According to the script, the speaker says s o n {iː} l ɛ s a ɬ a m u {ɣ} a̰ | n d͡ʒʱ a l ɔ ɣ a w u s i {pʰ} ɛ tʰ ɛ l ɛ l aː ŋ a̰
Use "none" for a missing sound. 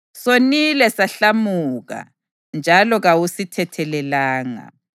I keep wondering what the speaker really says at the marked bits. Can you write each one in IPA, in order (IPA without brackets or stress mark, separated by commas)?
i, ɣ, tʰ